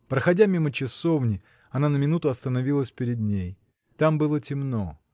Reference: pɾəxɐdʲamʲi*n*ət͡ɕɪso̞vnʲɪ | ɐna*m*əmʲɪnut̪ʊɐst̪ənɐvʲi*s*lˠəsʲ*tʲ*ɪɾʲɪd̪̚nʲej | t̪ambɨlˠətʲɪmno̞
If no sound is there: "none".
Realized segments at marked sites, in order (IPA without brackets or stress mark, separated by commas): m, n, none, pʲ